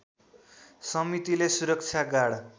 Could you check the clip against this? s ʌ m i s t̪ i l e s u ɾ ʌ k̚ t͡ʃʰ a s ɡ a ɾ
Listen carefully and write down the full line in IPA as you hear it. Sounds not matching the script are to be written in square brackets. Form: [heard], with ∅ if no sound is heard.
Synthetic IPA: s ʌ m i [∅] t̪ i l e s u ɾ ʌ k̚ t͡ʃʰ a [∅] ɡ a [ɽ]